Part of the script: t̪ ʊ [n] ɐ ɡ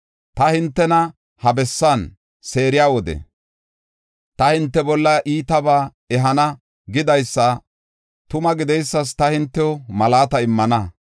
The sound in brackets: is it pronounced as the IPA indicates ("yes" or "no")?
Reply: no